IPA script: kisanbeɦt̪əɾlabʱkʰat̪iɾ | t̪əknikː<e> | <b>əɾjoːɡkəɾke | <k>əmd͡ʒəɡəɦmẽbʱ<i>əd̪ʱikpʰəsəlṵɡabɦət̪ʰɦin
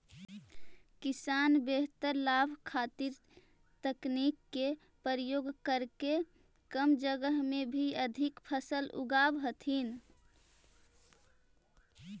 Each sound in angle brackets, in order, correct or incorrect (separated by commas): correct, incorrect, correct, correct